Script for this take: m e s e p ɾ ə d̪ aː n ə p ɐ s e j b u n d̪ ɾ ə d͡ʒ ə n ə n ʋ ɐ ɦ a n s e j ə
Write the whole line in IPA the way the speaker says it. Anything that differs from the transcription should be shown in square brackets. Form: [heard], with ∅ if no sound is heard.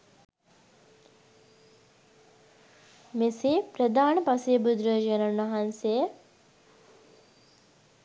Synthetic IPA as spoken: m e s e p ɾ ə d̪ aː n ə p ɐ s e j b u [∅] d̪ ɾ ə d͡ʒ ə n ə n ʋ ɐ ɦ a n s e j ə